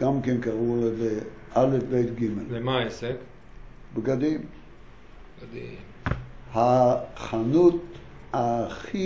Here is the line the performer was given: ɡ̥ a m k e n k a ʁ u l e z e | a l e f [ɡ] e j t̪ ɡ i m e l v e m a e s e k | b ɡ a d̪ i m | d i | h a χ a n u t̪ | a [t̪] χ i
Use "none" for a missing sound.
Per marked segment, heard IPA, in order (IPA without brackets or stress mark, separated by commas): b, none